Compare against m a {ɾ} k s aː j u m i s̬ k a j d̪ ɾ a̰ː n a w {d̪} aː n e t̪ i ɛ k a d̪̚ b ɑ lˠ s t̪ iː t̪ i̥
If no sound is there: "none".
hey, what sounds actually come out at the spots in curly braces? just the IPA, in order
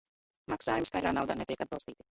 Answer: none, d̪

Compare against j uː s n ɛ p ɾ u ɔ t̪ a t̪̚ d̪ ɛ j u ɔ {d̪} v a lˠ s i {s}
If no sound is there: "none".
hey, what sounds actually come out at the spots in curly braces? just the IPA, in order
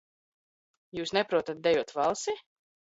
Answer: t̪, none

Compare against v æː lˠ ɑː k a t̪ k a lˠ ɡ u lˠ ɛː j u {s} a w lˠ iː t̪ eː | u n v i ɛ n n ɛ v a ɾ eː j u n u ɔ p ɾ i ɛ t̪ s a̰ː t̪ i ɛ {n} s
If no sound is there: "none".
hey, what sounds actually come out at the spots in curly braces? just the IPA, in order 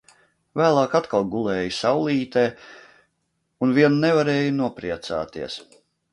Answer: s, none

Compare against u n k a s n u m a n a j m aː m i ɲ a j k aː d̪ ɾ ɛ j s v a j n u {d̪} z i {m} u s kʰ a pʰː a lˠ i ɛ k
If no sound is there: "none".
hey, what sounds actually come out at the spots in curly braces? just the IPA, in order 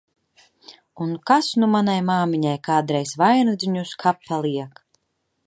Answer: d̪, ɲ

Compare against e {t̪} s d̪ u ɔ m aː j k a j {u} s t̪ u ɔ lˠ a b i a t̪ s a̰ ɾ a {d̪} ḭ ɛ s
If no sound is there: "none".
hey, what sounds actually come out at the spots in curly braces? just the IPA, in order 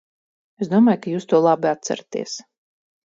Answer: none, uː, t̪

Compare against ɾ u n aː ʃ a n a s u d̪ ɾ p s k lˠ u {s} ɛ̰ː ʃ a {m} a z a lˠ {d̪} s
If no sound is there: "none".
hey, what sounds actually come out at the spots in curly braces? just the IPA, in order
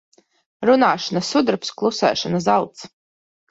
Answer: s, n, t̪

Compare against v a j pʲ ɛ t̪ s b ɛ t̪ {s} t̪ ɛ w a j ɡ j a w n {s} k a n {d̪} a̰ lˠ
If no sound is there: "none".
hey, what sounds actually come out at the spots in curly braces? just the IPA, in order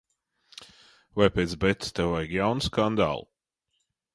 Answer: s, s, d̪

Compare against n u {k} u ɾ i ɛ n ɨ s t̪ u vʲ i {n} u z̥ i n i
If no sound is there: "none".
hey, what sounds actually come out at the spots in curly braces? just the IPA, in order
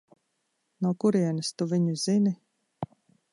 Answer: k, ɲ

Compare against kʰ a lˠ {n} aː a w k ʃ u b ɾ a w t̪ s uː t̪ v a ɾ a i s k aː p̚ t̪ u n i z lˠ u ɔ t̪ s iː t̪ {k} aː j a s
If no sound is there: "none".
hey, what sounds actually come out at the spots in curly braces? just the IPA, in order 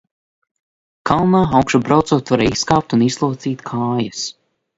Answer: n, kʰ

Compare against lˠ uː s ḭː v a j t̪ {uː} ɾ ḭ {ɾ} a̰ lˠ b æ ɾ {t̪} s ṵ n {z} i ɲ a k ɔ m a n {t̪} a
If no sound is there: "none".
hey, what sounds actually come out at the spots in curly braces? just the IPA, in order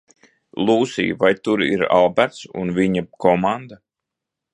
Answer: u, ɾ, t̪, v, d̪

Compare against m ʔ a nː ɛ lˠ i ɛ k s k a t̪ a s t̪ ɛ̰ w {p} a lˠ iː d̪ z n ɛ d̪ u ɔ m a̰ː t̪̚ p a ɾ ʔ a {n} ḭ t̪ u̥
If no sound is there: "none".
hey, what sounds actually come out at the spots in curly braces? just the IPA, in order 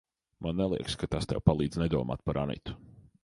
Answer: p, n

